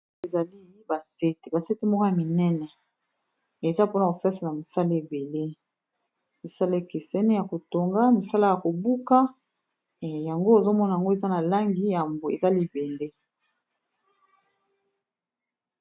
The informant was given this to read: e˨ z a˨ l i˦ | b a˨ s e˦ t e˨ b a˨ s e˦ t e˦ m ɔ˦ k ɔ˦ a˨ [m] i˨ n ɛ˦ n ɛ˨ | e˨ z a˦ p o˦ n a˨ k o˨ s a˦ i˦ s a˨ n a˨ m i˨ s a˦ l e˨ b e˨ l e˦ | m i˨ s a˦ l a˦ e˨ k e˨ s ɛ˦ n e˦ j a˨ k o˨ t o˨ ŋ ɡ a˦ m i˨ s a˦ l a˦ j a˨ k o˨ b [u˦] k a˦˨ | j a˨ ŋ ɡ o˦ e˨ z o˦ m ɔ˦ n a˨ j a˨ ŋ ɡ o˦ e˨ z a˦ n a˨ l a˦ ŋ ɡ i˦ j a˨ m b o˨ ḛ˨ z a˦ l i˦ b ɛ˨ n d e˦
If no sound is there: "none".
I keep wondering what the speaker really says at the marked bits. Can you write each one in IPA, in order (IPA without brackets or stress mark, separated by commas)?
m, u˦